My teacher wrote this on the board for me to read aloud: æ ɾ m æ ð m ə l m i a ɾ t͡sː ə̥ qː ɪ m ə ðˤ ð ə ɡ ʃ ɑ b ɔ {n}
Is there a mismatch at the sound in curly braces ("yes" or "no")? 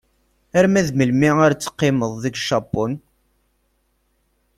no